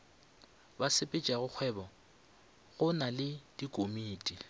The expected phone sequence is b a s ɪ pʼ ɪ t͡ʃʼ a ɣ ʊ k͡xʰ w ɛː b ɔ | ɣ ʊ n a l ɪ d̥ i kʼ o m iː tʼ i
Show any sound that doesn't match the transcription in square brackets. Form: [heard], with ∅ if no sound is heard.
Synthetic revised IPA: b a s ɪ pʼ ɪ t͡ʃʼ a ɣ ʊ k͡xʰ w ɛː b ɔ | ɣ ʊ n a l ɪ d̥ i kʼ o m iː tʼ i